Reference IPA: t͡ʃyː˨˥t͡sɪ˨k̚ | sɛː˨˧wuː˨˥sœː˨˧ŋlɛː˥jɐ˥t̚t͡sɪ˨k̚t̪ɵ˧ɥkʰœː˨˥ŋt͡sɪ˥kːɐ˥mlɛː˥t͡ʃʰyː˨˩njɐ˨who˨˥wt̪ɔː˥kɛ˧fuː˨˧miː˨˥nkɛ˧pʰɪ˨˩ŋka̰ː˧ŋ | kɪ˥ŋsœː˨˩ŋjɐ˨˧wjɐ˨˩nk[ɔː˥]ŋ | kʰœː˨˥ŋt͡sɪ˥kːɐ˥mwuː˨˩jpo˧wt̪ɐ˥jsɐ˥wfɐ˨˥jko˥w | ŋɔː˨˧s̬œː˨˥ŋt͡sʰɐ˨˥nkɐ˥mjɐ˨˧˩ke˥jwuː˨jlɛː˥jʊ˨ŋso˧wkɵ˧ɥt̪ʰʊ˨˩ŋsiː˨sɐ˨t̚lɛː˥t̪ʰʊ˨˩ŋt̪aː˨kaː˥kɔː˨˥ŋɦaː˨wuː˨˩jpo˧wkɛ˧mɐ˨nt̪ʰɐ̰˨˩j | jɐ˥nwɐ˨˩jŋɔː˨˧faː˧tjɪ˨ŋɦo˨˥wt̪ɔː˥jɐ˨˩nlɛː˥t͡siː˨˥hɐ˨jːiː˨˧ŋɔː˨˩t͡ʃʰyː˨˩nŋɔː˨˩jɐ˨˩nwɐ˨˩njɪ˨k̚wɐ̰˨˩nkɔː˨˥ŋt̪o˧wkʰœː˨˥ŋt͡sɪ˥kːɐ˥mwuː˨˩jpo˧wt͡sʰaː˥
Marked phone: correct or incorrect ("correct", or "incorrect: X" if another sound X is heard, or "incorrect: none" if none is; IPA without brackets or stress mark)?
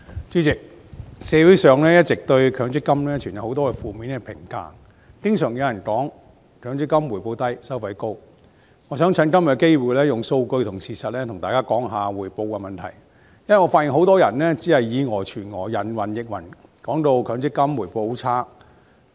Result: incorrect: ɔː˨˥